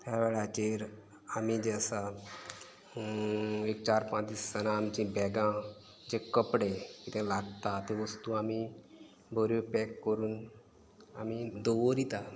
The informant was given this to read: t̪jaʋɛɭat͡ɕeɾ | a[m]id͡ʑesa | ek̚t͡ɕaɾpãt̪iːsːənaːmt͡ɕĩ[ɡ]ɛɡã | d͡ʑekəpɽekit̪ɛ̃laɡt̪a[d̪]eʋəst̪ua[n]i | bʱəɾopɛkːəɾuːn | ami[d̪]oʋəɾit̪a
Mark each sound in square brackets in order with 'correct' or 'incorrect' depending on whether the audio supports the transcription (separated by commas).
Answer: correct, incorrect, incorrect, incorrect, correct